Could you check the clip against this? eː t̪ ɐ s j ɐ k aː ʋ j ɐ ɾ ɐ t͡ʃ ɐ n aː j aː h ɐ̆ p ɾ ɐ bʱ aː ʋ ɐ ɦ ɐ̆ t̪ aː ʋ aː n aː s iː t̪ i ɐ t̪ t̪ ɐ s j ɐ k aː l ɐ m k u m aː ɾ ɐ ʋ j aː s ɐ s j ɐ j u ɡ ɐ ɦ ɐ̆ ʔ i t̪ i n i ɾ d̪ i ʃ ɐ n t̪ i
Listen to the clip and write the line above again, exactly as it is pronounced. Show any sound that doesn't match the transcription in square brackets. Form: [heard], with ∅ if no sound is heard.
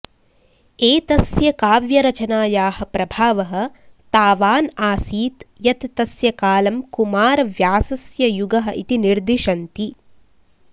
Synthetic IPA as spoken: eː t̪ ɐ s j ɐ k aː ʋ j ɐ ɾ ɐ t͡ʃ ɐ n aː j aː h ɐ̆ p ɾ ɐ bʱ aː ʋ ɐ ɦ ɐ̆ t̪ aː ʋ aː n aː s iː t̪ [j] ɐ t̪ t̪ ɐ s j ɐ k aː l ɐ m k u m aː ɾ ɐ ʋ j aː s ɐ s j ɐ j u ɡ ɐ ɦ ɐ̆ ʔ i t̪ i n i ɾ d̪ i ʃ ɐ n t̪ i